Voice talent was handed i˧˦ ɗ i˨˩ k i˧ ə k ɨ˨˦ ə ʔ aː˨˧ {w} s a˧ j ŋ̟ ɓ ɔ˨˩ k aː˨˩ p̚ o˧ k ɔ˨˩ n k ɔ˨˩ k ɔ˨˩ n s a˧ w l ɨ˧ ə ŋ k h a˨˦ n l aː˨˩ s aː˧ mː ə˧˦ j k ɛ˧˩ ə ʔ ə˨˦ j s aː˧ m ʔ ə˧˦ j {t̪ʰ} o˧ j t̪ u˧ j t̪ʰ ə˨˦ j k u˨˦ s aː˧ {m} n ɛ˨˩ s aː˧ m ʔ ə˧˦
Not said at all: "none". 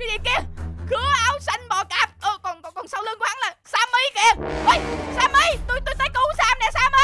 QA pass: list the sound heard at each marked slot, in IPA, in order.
w, t̪, m

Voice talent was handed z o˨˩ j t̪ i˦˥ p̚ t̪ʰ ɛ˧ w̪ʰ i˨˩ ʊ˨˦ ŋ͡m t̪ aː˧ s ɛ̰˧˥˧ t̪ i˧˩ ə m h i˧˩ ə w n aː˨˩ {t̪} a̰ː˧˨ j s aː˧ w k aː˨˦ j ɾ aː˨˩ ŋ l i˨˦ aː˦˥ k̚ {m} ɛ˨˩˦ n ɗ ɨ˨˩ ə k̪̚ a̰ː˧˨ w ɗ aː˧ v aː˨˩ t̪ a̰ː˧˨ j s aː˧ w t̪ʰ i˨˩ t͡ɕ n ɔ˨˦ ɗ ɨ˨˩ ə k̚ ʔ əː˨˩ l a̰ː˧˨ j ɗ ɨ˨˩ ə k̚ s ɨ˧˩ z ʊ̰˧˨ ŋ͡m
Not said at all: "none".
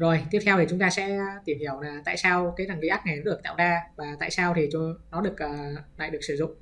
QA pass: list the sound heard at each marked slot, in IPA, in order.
t̪, ŋ

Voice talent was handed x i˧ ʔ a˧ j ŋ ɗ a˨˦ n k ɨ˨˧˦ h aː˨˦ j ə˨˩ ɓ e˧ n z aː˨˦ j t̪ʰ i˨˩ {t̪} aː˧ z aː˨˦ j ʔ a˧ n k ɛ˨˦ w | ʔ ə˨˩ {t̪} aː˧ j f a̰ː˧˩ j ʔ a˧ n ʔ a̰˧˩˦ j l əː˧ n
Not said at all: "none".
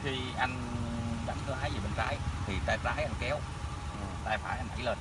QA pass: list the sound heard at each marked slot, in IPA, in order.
t̪, t̪

